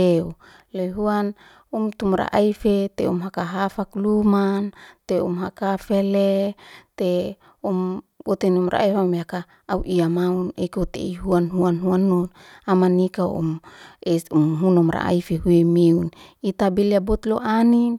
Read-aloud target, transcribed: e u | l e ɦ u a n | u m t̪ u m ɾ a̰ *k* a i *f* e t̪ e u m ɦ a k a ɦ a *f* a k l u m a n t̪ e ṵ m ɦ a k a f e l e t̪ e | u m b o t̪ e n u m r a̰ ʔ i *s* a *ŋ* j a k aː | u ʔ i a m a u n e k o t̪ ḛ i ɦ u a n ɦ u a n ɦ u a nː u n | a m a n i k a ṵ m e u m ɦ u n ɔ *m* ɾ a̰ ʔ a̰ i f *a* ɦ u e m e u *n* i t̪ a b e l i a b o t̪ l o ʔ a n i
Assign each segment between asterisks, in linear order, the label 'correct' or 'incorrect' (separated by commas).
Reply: incorrect, correct, correct, incorrect, incorrect, correct, incorrect, correct